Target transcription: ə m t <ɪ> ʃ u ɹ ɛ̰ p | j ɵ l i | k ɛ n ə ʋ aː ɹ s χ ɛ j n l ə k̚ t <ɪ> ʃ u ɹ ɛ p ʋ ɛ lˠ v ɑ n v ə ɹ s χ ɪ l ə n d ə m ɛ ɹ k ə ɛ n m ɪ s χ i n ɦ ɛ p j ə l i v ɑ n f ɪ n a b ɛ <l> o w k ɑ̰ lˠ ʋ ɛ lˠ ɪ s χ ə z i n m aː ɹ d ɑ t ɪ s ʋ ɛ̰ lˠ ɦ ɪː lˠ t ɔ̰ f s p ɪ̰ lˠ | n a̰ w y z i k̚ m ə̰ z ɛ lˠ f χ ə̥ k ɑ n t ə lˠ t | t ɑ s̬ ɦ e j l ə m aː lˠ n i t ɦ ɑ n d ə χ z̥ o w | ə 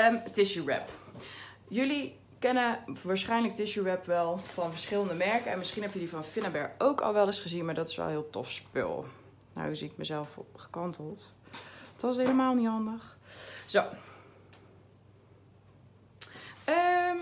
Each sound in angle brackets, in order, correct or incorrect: correct, correct, incorrect: ɹ

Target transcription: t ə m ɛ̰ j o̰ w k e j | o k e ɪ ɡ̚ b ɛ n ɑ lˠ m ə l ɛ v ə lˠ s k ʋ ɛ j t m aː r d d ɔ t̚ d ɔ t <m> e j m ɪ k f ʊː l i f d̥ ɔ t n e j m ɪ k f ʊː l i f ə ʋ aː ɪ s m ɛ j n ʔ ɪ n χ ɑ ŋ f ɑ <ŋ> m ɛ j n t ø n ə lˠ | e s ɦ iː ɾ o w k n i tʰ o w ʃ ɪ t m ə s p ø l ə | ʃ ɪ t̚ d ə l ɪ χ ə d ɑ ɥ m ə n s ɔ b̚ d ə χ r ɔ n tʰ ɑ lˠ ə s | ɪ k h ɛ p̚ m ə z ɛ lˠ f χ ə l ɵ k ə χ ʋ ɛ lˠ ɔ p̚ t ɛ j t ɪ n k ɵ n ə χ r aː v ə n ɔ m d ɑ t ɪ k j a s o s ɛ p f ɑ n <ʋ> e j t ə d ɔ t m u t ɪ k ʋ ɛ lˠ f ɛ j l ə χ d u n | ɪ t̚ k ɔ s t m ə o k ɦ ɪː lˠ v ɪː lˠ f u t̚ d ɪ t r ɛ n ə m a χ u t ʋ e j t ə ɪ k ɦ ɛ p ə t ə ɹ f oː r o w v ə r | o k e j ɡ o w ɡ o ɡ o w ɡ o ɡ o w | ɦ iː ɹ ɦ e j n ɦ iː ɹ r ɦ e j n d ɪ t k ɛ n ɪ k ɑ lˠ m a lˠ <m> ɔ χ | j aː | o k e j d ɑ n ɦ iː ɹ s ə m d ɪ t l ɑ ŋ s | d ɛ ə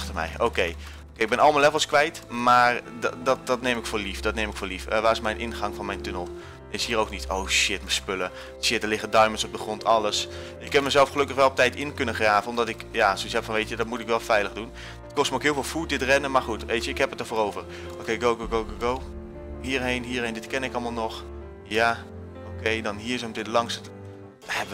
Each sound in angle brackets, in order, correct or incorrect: incorrect: n, incorrect: n, correct, incorrect: n

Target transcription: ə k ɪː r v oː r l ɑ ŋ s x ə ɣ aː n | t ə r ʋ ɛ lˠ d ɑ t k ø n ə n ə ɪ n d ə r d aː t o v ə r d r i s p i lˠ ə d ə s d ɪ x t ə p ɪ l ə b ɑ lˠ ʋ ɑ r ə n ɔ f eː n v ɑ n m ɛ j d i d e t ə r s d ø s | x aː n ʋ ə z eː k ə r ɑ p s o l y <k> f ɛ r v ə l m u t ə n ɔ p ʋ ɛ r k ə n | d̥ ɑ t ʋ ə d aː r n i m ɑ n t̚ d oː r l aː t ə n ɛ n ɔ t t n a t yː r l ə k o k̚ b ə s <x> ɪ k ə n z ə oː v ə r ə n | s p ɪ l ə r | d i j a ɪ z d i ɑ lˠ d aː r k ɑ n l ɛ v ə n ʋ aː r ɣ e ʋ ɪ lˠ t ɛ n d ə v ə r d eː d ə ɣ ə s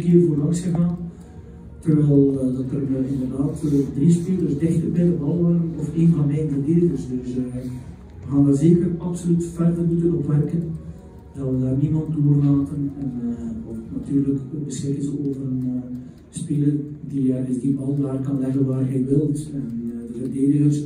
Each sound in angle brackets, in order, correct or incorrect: incorrect: t, correct

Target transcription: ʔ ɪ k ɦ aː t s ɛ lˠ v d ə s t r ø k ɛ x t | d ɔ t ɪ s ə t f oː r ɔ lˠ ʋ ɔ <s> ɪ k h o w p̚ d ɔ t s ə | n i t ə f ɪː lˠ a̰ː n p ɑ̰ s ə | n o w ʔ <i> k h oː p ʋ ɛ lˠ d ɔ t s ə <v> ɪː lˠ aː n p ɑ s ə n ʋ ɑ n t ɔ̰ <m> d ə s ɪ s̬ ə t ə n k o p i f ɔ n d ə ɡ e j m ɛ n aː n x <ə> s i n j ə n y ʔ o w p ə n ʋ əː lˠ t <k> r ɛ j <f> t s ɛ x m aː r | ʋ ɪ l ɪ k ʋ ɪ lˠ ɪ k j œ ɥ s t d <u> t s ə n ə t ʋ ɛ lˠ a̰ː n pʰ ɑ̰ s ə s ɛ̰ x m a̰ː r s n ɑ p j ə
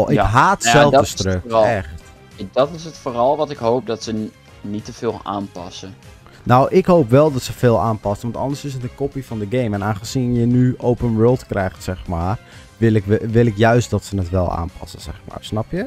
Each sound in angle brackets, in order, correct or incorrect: incorrect: t, incorrect: ɪ, incorrect: f, incorrect: n, correct, correct, incorrect: x, incorrect: ɔ

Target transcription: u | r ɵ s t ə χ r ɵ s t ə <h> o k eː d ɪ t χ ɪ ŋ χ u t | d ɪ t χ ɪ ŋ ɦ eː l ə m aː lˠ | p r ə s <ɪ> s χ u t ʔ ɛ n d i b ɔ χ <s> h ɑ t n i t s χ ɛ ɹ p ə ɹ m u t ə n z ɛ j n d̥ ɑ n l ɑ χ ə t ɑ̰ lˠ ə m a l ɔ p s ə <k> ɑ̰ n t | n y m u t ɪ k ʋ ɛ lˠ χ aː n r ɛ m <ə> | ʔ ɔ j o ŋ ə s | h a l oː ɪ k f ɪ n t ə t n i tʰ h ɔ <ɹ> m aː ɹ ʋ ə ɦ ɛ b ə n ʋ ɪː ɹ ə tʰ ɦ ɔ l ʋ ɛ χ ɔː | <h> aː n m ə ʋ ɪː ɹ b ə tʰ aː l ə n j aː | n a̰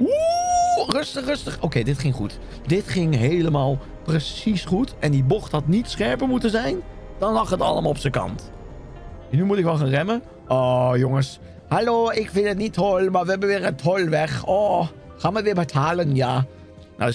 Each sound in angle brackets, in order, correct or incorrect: incorrect: χ, incorrect: i, incorrect: t, correct, correct, incorrect: l, incorrect: χ

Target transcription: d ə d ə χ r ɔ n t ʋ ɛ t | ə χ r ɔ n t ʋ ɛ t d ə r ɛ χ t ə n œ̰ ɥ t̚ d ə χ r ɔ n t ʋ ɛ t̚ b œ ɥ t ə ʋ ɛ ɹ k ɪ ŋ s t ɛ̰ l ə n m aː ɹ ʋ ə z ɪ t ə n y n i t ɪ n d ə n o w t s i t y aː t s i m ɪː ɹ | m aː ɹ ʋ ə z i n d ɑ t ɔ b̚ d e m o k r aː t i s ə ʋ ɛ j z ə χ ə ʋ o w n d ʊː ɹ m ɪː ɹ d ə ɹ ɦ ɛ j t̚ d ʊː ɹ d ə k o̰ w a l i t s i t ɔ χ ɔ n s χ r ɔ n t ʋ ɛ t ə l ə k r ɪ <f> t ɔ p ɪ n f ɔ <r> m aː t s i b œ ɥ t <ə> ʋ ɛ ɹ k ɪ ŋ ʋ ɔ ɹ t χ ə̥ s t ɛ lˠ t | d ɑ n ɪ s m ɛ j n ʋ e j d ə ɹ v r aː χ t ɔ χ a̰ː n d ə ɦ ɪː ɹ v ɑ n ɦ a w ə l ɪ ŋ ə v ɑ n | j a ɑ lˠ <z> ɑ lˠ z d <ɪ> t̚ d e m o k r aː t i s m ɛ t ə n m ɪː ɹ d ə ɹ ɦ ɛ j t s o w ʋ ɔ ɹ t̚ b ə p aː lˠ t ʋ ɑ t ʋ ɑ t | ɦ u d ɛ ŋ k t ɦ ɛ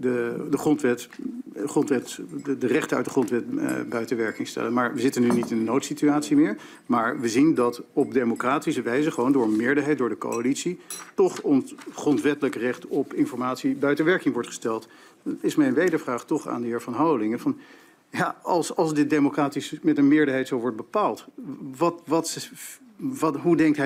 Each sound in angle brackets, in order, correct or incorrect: incorrect: χ, incorrect: ɹ, correct, incorrect: s, correct

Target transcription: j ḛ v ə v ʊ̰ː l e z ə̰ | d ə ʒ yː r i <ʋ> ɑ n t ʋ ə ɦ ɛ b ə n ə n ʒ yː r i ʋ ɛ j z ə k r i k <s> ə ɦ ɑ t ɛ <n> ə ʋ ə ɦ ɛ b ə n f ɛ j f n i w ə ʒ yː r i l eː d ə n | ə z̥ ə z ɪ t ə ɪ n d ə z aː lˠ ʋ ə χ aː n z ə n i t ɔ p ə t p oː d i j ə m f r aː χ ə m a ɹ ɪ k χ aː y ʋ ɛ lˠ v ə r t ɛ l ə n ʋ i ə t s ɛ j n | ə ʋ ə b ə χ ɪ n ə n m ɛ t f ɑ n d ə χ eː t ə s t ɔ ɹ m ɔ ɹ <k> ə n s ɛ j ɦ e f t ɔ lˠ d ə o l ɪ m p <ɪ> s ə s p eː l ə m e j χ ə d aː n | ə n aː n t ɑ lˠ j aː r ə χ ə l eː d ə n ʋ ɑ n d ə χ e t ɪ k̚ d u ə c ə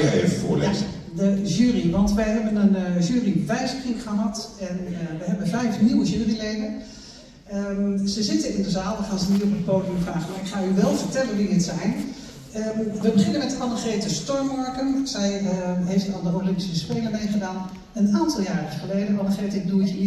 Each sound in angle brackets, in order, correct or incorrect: correct, incorrect: χ, correct, correct, incorrect: i

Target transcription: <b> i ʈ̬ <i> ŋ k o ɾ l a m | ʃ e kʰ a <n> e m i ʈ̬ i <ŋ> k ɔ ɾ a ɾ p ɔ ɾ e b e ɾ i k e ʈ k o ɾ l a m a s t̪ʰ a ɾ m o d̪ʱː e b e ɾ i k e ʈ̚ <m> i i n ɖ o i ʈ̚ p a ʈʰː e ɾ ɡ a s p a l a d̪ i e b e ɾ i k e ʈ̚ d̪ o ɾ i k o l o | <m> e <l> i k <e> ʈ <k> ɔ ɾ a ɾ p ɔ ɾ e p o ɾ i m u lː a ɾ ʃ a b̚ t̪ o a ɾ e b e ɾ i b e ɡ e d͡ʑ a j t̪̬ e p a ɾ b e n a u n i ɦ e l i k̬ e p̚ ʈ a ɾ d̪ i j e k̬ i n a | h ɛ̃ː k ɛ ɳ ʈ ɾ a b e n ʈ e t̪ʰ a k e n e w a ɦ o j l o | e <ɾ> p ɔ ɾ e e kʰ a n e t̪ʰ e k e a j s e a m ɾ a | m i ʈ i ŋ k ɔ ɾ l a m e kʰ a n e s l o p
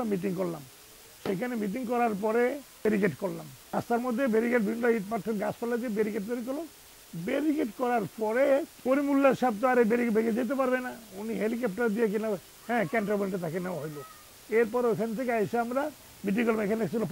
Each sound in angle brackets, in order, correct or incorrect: incorrect: m, correct, correct, correct, incorrect: b, incorrect: b, incorrect: ɾ, correct, correct, correct

